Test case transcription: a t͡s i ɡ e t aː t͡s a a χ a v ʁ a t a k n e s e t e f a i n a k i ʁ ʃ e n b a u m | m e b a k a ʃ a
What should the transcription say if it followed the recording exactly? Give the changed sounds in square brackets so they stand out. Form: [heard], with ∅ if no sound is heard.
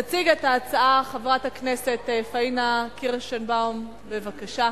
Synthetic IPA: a t͡s i ɡ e t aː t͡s a a χ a v ʁ a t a k n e s e t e f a i n a k i ʁ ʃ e n b a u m | [b] e [v] a k a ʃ a